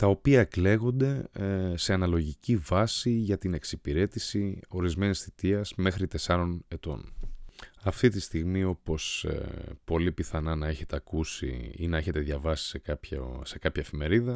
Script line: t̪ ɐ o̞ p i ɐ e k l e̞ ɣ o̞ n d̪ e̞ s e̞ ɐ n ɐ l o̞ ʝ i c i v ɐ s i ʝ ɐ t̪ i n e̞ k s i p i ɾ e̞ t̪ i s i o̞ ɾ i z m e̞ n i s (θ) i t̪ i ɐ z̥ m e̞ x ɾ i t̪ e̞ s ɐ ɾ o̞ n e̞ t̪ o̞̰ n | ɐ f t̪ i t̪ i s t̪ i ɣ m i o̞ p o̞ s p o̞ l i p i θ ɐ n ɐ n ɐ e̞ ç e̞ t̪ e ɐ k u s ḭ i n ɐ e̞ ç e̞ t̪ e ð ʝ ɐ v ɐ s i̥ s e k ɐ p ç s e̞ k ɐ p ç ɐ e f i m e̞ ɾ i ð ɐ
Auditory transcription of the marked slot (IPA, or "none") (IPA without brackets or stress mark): θ